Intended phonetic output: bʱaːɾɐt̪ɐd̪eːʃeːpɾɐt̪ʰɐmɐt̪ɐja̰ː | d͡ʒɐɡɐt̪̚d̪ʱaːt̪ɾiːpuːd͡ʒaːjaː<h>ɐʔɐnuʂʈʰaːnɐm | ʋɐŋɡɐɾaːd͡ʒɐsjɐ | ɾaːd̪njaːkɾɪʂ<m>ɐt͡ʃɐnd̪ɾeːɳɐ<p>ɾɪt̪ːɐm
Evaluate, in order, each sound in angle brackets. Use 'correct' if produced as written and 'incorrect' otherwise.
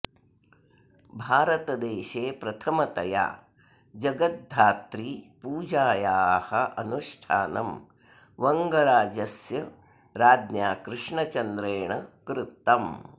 correct, incorrect: ɳ, incorrect: k

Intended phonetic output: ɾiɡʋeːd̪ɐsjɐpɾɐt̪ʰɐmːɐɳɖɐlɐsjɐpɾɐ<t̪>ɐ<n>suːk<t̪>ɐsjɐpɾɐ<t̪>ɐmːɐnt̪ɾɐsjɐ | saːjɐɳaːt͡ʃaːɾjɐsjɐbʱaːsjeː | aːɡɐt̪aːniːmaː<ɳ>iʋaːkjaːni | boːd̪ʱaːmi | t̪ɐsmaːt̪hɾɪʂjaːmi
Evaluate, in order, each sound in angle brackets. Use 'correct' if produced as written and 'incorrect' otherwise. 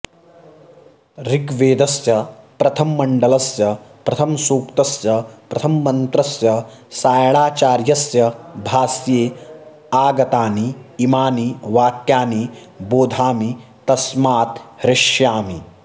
incorrect: t̪ʰ, incorrect: m, correct, incorrect: t̪ʰ, incorrect: n

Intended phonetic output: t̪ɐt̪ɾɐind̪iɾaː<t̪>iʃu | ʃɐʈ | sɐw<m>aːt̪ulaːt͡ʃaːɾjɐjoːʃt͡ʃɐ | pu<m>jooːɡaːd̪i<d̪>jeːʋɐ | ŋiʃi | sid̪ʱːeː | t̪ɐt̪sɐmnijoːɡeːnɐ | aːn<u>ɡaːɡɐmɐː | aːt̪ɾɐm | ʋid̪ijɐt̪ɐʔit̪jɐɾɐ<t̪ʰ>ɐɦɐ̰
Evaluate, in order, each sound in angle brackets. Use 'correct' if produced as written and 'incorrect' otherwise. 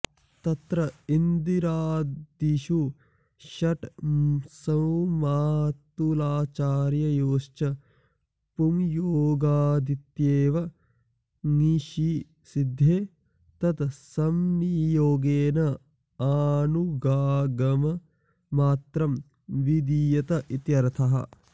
incorrect: d̪, correct, correct, incorrect: t̪, correct, correct

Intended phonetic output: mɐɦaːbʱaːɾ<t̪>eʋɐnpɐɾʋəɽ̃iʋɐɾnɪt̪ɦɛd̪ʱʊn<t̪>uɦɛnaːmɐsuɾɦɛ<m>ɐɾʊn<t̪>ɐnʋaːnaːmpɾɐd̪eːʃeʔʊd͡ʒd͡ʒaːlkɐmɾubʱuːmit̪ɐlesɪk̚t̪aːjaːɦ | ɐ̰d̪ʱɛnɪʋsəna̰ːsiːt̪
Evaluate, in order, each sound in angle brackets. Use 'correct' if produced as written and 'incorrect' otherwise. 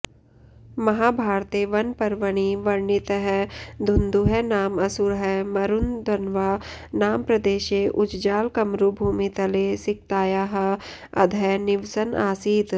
correct, incorrect: d̪, correct, incorrect: d̪

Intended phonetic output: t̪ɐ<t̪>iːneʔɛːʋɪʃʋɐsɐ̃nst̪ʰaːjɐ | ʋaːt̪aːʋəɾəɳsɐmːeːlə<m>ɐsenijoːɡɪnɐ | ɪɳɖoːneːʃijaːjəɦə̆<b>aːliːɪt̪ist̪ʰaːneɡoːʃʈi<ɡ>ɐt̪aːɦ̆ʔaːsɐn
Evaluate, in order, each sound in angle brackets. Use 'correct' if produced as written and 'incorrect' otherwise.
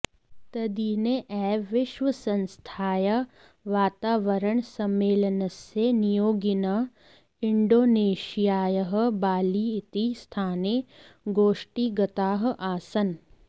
incorrect: d̪, incorrect: n, correct, correct

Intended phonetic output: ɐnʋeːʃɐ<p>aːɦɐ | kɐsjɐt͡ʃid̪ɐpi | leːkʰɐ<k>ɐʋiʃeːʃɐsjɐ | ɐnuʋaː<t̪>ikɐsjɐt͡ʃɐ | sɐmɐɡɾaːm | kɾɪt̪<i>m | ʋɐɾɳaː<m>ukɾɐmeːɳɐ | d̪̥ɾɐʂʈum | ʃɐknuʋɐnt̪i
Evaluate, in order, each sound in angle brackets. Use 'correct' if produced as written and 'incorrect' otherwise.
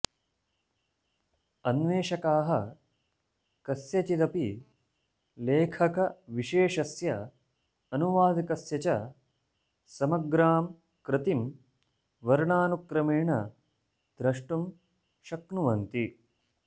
incorrect: k, correct, incorrect: d̪, correct, incorrect: n

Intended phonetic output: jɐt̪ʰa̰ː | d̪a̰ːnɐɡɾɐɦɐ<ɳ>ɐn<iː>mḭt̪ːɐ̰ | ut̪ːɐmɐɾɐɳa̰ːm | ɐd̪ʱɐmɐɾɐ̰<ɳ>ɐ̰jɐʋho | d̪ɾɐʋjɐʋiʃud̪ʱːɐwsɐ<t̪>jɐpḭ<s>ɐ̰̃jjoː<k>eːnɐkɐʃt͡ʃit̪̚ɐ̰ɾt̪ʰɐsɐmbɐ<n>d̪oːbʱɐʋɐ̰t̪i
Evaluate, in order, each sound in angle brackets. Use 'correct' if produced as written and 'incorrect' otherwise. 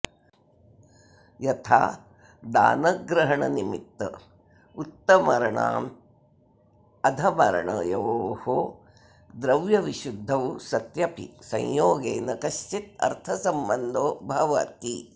correct, incorrect: i, correct, correct, correct, incorrect: ɡ, correct

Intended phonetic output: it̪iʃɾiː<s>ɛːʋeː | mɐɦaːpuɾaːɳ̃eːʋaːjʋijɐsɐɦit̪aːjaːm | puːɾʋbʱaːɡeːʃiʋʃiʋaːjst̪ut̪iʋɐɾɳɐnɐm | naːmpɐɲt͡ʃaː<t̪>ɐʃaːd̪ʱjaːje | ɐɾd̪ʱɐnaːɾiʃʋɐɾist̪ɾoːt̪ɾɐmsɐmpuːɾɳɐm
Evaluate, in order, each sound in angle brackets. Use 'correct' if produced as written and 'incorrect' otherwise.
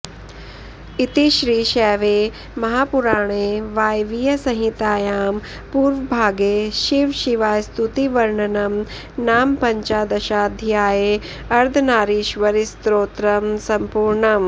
incorrect: ʃ, incorrect: d̪

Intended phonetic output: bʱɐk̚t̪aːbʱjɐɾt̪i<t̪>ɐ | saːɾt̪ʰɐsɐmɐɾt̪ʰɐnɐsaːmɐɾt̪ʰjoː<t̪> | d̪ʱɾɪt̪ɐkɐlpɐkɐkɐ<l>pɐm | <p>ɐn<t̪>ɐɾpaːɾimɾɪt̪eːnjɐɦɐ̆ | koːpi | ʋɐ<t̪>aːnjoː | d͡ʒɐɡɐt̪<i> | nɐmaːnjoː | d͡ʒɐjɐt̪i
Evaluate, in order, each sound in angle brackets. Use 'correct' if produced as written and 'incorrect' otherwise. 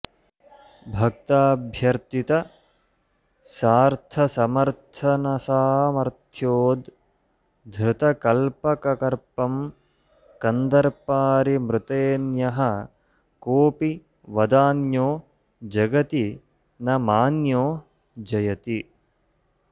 correct, incorrect: d̪, incorrect: ɾ, incorrect: k, incorrect: d̪, incorrect: d̪, correct

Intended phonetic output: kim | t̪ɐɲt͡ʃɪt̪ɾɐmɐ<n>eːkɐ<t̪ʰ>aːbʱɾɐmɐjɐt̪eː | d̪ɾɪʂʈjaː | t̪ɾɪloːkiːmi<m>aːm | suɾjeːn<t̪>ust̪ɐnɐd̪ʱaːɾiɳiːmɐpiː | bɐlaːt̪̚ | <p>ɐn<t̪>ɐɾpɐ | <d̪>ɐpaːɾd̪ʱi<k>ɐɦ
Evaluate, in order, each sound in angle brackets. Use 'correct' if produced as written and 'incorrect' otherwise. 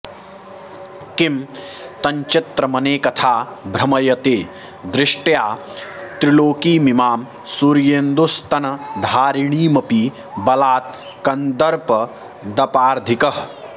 correct, correct, correct, incorrect: d̪, incorrect: k, incorrect: d̪, correct, correct

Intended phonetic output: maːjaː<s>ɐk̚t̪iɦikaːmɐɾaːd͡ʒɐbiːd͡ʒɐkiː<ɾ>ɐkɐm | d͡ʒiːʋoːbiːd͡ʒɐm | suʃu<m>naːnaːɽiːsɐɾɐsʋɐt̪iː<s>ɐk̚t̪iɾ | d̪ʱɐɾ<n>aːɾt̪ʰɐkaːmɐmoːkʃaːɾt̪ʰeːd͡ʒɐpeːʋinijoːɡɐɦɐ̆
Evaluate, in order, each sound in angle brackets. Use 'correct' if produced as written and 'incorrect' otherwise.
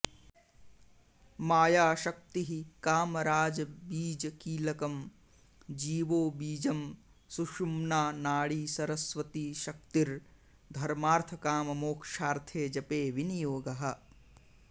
incorrect: ʃ, incorrect: l, correct, incorrect: ʃ, incorrect: m

